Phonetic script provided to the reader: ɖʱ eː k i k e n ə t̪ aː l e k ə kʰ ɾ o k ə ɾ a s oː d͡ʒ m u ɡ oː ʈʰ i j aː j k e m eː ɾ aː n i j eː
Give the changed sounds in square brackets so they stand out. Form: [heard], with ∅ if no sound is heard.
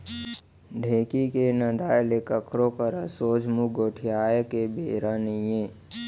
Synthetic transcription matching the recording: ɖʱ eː k i k e n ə [d̪] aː l e k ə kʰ ɾ o k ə ɾ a s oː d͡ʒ m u ɡ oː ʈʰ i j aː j k e [b] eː ɾ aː n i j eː

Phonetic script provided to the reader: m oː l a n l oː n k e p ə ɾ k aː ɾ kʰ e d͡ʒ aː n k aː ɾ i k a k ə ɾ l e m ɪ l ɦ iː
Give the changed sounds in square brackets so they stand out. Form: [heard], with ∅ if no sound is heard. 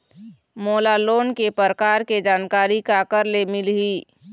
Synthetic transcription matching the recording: m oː l a [∅] l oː n k e p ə ɾ k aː ɾ [k] e d͡ʒ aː n k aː ɾ i k a k ə ɾ l e m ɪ l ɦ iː

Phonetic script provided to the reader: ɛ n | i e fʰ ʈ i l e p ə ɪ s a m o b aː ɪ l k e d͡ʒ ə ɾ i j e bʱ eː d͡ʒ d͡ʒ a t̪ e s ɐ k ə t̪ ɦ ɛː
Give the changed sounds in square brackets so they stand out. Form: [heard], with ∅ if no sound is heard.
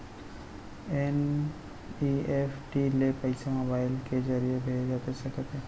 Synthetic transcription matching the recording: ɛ n | i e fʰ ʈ i l e p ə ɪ s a m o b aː ɪ l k e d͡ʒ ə ɾ i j e bʱ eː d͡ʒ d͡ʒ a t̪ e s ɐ k ə t̪ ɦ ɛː

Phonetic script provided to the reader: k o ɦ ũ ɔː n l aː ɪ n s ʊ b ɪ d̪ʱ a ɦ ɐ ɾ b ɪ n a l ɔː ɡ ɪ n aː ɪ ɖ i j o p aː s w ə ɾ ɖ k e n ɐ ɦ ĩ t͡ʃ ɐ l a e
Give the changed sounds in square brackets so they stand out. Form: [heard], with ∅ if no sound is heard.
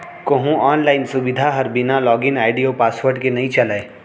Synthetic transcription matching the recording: k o ɦ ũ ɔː n l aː ɪ n s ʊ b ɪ d̪ʱ a ɦ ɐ ɾ b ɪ n a l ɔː ɡ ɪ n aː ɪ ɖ i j o p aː s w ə ɾ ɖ k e n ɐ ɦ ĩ t͡ʃ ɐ l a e

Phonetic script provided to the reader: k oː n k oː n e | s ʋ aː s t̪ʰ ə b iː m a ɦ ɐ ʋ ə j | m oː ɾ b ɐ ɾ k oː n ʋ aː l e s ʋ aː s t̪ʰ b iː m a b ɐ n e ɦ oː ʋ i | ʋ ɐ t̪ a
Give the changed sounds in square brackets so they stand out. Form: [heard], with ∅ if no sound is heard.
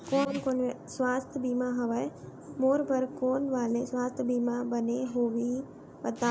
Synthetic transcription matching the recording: k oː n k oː n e | s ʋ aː s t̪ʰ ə b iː m a ɦ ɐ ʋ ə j | m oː ɾ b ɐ ɾ k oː n ʋ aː l e s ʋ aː s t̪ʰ b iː m a b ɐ n e ɦ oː ʋ i | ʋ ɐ t̪ a

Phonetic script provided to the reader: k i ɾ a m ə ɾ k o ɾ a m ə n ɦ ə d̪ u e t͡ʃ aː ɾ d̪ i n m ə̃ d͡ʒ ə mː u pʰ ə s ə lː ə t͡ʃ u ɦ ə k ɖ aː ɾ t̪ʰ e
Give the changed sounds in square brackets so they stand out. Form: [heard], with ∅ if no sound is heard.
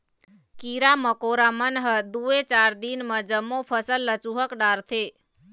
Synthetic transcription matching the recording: k i ɾ a m ə [∅] k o ɾ a m ə n ɦ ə d̪ u e t͡ʃ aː ɾ d̪ i n m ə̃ d͡ʒ ə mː [o] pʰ ə s ə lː ə t͡ʃ u ɦ ə k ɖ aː ɾ t̪ʰ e

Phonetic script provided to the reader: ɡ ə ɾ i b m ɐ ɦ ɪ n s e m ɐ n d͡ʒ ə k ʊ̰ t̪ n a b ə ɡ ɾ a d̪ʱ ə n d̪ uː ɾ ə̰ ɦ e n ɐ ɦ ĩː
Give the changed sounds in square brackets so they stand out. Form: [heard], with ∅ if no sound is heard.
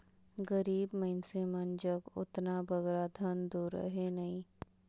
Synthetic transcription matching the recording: ɡ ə ɾ [iː] b m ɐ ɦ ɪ n s e m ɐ n d͡ʒ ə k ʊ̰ t̪ n a b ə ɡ ɾ a d̪ʱ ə n d̪ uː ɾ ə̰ ɦ e n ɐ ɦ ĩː

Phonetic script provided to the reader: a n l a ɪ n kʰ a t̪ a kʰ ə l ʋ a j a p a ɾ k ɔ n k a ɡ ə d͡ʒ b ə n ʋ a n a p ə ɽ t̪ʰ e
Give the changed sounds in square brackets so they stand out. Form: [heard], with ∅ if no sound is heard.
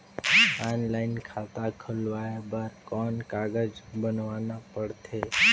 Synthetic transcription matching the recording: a n l a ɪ n kʰ a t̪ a kʰ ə l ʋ a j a [b] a ɾ k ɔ n k a ɡ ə d͡ʒ b ə n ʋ a n a p ə ɽ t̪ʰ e

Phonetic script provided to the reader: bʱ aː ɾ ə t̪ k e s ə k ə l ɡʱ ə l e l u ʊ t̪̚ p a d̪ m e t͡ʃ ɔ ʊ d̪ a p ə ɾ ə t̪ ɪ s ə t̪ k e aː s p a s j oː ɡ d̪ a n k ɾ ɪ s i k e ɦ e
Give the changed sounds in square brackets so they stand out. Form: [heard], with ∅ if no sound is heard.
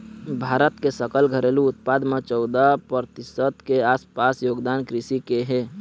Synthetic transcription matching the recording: bʱ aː ɾ ə t̪ k e s ə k ə l ɡʱ ə [ɾ] e l u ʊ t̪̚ p a d̪ m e t͡ʃ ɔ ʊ d̪ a p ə ɾ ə t̪ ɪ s ə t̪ k e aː s p a s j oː ɡ d̪ a n k ɾ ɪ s i k e ɦ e

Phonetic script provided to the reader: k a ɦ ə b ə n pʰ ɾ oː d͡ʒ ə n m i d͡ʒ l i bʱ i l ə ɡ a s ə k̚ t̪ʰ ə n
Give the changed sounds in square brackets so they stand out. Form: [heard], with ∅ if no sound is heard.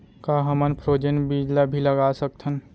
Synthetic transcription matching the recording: k a ɦ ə [m] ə n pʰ ɾ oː d͡ʒ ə n [b] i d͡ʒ l [a] bʱ i l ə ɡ a s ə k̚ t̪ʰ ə n

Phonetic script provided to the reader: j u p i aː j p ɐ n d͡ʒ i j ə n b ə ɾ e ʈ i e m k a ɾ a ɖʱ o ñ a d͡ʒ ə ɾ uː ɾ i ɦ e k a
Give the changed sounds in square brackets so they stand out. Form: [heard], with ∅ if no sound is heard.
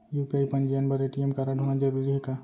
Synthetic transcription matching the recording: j u p i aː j p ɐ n d͡ʒ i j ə n b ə ɾ e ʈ i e m k a ɾ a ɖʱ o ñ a d͡ʒ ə ɾ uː ɾ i ɦ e k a

